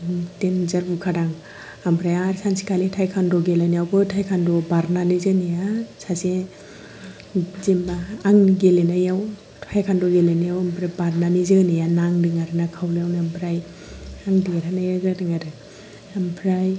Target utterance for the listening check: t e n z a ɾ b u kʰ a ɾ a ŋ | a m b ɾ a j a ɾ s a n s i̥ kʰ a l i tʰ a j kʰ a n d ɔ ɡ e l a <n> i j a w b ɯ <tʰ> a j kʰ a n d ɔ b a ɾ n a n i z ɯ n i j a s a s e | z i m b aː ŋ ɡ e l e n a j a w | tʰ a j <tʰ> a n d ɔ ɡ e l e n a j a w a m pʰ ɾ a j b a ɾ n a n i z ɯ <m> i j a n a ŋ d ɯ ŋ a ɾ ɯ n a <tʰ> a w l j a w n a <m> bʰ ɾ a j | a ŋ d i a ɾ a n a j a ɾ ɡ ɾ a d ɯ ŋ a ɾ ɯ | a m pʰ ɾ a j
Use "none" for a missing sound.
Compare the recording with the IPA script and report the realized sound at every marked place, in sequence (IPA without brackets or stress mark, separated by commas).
n, tʰ, kʰ, n, kʰ, m